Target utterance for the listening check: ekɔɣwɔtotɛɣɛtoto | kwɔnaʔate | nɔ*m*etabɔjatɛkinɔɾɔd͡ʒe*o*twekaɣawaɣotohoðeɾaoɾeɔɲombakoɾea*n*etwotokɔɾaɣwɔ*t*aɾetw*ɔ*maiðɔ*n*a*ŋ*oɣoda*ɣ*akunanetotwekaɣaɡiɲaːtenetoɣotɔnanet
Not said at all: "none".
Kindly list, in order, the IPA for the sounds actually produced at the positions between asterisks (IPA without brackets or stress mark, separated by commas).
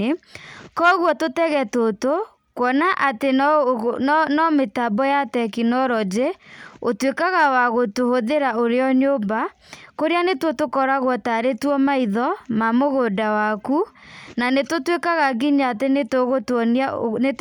m, o, n, t, ɔ, m, m, w